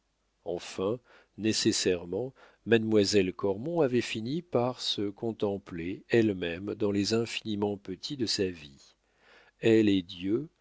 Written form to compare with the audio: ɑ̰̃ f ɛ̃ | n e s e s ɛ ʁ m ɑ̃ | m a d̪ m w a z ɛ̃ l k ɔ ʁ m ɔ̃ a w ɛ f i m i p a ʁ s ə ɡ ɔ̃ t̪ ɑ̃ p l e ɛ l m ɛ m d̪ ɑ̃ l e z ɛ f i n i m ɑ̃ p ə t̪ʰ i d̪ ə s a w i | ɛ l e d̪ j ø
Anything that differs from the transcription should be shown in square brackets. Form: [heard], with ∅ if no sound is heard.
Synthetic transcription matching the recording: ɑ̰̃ f ɛ̃ | n e s e s ɛ ʁ m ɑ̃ | m a d̪ m w a z [ɛ] l k ɔ ʁ m ɔ̃ a [v] ɛ f i [n] i p a ʁ s ə [k] ɔ̃ t̪ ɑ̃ p l e ɛ l m ɛ m d̪ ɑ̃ l e z [ɛ̃] f i n i m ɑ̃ p ə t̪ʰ i d̪ ə s a [v] i | ɛ l e d̪ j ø